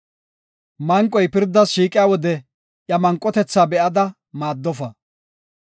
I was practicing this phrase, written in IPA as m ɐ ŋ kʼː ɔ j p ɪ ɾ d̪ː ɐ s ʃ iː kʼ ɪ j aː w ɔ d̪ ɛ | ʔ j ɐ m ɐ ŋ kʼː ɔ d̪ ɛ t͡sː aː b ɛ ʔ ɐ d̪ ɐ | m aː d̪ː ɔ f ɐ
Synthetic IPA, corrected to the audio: m ɐ ŋ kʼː ɔ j p ɪ ɾ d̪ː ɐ s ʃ iː kʼ ɪ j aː w ɔ d̪ ɛ | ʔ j ɐ m ɐ ŋ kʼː ɔ t̪ ɛ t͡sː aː b ɛ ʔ ɐ d̪ ɐ | m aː d̪ː ɔ f ɐ